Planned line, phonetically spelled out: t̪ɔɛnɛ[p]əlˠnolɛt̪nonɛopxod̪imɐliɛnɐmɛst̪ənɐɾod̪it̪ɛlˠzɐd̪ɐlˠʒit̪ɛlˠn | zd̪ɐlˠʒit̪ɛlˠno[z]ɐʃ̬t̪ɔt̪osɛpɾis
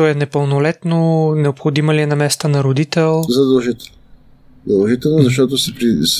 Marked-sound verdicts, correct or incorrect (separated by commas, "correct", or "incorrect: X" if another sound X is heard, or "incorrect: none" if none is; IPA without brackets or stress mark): correct, correct